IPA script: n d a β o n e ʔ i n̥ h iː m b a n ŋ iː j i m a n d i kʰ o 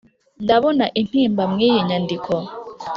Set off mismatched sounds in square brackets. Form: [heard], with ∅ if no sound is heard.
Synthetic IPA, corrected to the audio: n d a β o n [a] ʔ i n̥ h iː m b a [m] ŋ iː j i [ɲ] a n d i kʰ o